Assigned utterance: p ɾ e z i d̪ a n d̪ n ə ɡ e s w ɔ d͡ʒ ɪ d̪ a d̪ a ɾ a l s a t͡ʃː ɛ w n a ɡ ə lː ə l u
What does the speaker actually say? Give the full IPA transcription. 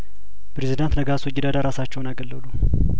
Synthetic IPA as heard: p ɾ e z i d̪ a n t̪ n ə ɡ a s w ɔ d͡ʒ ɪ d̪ a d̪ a ɾ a s a t͡ʃː ɛ w n a ɡ ə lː ə l u